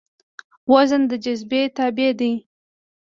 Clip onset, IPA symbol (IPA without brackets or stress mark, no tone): w